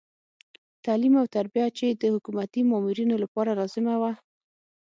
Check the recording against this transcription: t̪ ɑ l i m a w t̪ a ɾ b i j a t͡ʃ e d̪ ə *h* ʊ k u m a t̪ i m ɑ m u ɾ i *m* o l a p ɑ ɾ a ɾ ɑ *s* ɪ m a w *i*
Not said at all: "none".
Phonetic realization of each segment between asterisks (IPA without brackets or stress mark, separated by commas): h, n, z, a